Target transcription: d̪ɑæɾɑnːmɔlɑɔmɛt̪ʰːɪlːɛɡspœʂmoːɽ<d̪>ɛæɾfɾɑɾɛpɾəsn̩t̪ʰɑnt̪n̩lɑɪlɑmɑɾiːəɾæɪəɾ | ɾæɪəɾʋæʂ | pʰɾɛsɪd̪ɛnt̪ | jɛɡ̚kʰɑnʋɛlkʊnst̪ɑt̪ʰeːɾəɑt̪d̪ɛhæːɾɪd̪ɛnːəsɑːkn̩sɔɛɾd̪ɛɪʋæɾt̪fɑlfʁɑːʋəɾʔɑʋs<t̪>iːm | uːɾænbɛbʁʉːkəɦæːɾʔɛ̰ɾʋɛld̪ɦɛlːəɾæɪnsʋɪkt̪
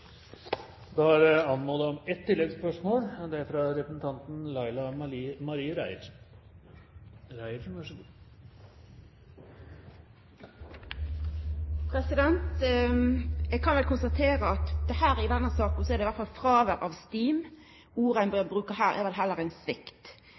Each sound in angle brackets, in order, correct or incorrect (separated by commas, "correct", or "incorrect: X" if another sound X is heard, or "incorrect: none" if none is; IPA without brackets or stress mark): correct, correct